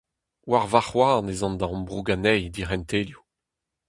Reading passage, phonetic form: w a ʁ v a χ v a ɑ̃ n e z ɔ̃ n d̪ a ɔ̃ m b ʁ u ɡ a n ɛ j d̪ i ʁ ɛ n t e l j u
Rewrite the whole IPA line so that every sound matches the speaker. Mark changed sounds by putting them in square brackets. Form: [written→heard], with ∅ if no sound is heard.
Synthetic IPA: w a ʁ v a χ [v→w] a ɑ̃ n e z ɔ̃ n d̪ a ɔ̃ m b ʁ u ɡ a n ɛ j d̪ i ʁ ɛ n t e l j u